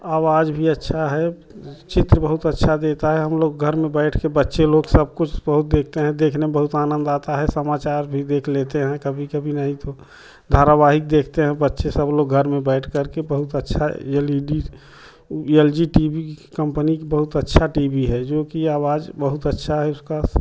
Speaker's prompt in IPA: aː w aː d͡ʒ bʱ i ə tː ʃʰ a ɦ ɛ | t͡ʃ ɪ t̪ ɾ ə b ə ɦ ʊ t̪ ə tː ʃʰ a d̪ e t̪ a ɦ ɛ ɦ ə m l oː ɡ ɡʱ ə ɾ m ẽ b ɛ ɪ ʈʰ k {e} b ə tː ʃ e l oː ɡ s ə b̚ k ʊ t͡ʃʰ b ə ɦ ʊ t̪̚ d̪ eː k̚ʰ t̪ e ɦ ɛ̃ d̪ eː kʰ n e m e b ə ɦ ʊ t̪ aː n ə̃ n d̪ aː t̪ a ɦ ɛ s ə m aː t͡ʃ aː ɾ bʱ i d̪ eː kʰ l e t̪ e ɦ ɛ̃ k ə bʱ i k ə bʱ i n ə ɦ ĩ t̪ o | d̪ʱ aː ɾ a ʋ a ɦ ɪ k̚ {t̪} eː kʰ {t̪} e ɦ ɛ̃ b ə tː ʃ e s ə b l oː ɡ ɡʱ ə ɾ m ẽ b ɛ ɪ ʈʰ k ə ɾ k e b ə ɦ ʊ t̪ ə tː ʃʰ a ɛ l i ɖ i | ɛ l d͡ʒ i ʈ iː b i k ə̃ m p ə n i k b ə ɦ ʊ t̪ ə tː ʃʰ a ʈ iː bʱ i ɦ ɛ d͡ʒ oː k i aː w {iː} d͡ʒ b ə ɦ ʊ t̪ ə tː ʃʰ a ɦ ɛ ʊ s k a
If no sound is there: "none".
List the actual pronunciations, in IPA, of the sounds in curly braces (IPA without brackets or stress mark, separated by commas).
e, d̪, t̪, aː